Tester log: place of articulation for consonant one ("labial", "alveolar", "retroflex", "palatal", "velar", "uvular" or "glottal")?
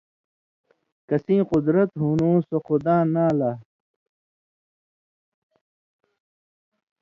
velar